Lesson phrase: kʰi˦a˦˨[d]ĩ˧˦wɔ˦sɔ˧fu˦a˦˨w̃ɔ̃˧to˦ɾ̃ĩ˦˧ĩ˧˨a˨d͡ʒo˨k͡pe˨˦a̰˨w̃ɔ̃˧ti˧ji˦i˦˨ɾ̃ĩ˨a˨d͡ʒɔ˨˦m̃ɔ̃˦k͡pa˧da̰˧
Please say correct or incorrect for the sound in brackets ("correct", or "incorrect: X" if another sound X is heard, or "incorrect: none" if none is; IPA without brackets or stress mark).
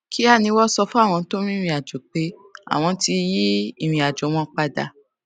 incorrect: n